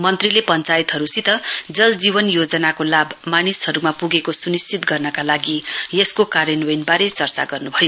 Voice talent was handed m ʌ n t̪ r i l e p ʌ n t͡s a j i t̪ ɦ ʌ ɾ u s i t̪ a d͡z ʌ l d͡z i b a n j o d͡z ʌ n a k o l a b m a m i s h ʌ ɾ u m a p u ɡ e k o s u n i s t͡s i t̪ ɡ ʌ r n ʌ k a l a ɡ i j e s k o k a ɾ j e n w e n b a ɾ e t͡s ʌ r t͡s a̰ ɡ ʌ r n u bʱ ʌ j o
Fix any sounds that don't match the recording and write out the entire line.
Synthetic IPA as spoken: m ʌ n t̪ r i l e p ʌ n t͡s a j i t̪ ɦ ʌ ɾ u s i t̪ ʌ d͡z ʌ l d͡z i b ʌ n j o d͡z ʌ n a k o l a b m a n i s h ʌ ɾ u m a p u ɡ e k o s u n i s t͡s i t̪ ɡ ʌ r n ʌ k a l a ɡ i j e s k o k a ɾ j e n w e n b a ɾ e t͡s ʌ r t͡s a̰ ɡ ʌ r n u bʱ ʌ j o